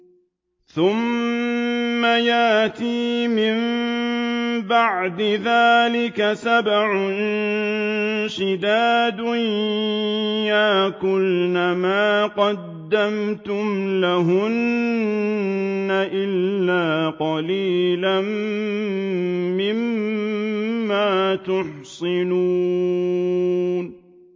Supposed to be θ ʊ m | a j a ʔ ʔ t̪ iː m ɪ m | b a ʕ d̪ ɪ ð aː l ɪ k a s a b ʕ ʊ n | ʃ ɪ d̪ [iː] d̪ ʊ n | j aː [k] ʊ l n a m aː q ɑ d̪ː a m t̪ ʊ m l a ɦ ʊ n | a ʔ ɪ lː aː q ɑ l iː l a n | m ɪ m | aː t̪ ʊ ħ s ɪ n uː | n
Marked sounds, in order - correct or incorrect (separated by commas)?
incorrect, correct